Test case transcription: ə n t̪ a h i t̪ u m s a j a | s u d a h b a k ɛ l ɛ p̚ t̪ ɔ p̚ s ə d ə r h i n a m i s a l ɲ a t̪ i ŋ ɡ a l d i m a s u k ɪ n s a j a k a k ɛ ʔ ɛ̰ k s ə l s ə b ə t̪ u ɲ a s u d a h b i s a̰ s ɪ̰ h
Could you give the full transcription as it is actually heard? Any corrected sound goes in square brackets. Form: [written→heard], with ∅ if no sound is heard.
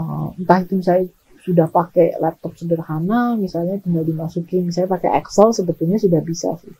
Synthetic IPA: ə n t̪ a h i t̪ u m s a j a | s u d a h [b→p] a k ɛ l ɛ p̚ t̪ ɔ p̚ s ə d ə r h [i→a] n a m i s a l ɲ a t̪ i ŋ ɡ a l d i m a s u k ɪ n s a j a [k→p] a k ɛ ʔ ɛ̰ k s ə l s ə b ə t̪ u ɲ a s u d a h b i s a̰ s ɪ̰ h